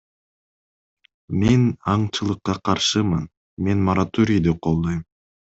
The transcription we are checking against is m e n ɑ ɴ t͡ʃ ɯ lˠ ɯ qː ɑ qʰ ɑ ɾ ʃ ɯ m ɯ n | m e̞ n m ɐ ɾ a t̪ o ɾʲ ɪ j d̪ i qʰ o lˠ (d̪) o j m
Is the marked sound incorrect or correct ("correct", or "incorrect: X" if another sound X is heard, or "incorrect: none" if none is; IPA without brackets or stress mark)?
correct